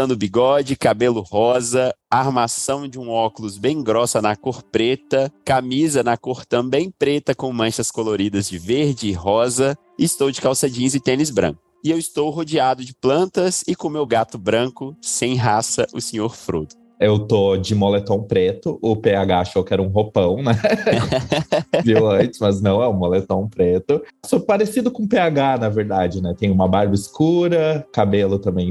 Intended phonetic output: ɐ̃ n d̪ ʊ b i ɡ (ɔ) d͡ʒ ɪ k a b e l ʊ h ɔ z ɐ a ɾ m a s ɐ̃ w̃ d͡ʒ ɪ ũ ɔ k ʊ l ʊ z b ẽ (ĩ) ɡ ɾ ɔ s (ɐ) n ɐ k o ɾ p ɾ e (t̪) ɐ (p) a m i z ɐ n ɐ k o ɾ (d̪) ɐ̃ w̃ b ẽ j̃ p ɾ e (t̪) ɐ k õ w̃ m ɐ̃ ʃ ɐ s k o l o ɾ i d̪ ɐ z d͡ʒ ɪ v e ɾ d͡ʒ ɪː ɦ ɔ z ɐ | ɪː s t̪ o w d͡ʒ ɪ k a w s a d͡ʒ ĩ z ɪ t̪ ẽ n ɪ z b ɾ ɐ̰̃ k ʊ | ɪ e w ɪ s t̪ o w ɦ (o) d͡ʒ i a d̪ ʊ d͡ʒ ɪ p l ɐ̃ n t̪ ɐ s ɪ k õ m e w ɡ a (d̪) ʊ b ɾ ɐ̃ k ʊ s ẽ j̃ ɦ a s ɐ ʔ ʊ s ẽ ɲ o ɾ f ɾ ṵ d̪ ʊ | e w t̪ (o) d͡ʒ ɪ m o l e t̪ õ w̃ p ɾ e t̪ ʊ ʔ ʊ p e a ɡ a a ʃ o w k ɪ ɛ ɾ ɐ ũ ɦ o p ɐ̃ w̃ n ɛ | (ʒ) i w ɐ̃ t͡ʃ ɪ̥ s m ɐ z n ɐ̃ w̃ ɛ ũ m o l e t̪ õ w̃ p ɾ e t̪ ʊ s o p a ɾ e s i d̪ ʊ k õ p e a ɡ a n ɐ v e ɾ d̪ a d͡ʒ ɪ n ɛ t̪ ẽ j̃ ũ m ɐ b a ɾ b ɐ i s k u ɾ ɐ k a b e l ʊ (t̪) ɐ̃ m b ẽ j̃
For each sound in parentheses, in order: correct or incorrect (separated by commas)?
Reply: correct, incorrect, correct, correct, incorrect, incorrect, correct, correct, incorrect, correct, incorrect, correct